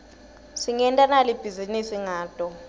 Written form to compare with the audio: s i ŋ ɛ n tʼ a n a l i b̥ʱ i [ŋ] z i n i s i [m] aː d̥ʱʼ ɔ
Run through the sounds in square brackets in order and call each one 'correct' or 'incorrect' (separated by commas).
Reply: incorrect, incorrect